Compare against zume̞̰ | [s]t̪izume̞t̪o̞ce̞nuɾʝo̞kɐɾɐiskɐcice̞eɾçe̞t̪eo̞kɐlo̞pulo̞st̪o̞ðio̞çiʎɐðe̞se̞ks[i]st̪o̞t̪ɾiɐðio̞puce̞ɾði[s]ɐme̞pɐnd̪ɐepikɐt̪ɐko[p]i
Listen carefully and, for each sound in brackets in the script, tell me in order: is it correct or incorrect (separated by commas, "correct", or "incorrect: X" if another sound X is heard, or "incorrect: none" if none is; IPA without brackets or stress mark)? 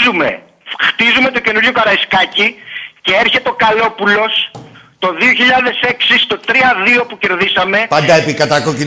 incorrect: x, correct, correct, incorrect: c